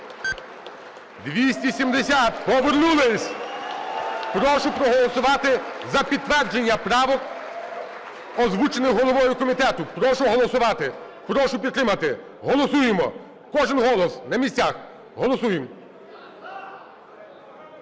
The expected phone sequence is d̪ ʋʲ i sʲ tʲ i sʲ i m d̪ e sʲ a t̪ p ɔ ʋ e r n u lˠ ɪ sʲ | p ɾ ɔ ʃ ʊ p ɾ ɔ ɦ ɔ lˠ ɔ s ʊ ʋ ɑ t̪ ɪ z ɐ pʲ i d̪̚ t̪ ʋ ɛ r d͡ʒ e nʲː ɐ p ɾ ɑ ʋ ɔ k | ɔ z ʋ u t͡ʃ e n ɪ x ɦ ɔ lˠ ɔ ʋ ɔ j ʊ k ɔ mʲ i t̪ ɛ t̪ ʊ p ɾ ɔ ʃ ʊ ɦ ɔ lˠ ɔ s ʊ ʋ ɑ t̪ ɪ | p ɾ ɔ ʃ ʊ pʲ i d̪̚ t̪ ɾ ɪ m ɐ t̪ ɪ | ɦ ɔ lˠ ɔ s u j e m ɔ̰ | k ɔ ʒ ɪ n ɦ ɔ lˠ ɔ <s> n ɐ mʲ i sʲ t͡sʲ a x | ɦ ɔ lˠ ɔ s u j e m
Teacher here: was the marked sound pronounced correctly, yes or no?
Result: yes